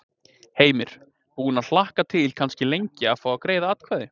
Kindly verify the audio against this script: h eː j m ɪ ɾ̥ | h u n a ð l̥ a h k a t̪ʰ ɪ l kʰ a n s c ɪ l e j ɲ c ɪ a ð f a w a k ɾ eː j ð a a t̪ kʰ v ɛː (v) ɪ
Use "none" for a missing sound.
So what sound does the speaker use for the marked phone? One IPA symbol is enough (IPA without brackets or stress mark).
ð